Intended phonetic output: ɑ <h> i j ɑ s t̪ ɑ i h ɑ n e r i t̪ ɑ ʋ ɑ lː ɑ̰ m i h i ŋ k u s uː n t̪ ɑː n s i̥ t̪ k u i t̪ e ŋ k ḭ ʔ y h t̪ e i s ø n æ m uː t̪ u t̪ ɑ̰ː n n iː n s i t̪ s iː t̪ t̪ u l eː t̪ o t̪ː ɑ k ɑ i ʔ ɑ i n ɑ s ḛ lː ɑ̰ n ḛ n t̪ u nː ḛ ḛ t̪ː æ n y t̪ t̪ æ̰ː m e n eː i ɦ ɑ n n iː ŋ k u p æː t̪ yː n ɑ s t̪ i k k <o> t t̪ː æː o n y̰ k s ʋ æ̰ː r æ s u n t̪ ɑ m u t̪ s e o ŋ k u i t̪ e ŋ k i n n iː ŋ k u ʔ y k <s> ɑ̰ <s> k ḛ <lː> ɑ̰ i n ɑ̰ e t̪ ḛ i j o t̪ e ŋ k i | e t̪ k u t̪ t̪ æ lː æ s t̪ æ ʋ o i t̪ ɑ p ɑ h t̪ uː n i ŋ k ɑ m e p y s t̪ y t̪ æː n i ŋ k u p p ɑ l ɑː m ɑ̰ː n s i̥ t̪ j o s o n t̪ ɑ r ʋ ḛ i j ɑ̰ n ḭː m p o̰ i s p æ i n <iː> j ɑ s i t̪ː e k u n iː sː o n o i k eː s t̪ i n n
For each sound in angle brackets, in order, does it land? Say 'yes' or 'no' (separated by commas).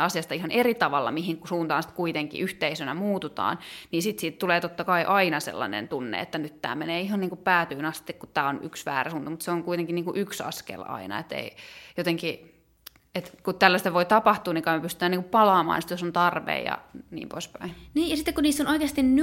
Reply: no, no, yes, yes, no, yes